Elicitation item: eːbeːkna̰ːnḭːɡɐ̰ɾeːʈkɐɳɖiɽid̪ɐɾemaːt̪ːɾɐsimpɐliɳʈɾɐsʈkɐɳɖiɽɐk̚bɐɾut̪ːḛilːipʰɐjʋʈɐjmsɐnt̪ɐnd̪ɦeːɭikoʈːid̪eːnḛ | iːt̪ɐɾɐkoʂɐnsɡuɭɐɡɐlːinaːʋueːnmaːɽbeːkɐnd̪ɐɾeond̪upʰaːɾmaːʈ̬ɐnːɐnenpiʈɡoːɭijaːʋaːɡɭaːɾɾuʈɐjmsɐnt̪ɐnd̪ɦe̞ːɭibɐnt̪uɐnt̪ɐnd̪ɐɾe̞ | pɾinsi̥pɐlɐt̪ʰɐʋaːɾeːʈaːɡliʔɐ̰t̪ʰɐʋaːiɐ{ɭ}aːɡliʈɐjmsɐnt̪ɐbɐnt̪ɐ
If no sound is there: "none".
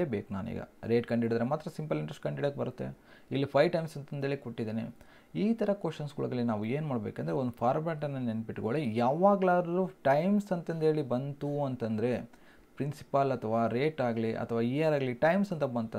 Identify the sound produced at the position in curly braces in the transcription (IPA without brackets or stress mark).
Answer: ɾ